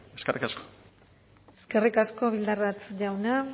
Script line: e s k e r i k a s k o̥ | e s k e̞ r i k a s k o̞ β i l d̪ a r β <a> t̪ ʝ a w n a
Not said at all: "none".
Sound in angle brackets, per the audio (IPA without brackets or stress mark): a